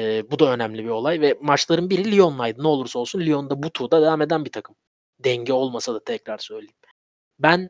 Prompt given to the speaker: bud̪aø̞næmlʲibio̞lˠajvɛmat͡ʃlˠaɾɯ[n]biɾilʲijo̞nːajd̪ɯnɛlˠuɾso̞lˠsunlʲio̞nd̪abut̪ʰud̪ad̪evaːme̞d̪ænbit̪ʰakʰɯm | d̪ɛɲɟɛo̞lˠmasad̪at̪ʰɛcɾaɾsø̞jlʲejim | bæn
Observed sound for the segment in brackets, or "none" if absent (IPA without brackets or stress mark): n